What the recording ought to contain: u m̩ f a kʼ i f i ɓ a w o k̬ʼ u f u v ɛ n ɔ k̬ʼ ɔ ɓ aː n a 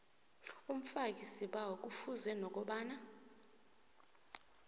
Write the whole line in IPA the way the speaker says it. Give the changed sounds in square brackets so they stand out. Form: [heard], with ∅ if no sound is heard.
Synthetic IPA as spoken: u m̩ f a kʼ i [s] i ɓ a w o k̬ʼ u f u [z] ɛ n ɔ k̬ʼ ɔ ɓ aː n a